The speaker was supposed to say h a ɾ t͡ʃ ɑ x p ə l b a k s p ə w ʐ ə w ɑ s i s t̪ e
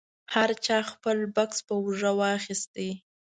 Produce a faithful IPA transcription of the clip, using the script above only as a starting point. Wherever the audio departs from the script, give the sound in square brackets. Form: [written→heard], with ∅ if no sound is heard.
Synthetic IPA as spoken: h a ɾ t͡ʃ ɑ x p ə l b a k s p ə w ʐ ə w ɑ [s→x] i s t̪ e